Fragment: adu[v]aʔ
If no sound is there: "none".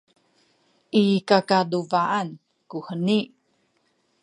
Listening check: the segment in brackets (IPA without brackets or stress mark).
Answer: v